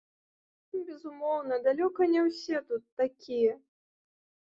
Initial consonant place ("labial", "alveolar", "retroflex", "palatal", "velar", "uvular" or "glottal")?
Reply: labial